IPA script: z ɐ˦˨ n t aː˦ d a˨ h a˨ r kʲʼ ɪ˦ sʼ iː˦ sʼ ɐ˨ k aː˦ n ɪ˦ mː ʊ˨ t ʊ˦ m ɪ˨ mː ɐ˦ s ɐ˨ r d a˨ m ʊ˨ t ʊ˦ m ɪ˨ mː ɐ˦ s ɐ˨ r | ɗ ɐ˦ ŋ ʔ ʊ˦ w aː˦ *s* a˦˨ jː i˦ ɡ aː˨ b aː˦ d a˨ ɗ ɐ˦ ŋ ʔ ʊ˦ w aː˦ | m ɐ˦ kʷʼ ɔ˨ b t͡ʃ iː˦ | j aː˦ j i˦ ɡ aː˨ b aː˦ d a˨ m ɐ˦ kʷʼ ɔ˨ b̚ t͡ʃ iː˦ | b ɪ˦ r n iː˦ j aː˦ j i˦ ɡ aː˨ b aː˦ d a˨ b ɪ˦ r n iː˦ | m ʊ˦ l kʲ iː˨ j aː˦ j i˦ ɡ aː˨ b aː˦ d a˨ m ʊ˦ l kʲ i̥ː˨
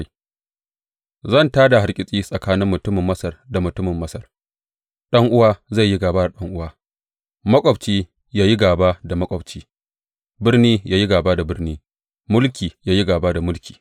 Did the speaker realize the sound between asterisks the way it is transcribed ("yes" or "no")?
no